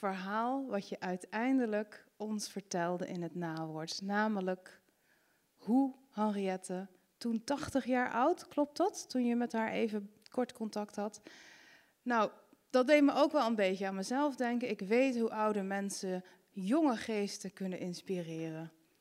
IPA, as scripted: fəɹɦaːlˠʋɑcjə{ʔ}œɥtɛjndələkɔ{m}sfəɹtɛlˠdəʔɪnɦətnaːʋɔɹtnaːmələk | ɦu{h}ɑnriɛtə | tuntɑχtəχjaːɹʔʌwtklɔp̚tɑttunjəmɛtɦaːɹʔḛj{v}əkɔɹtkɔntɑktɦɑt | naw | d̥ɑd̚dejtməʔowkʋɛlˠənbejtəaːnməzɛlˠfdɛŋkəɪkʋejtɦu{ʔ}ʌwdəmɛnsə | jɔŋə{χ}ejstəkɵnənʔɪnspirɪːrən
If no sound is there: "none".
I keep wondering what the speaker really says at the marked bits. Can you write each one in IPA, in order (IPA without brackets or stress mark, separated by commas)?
ʔ, n, h, v, ʔ, χ